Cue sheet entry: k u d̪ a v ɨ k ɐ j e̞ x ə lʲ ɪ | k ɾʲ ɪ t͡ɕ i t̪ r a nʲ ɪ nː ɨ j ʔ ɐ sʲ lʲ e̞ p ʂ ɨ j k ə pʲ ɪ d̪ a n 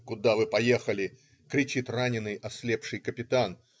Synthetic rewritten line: k ʊ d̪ a v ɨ p ɐ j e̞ x ə lʲ ɪ | k ɾʲ ɪ t͡ɕ i t̪ r a nʲ ɪ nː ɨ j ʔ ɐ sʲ lʲ e̞ p ʂ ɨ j k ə pʲ ɪ t̪ a n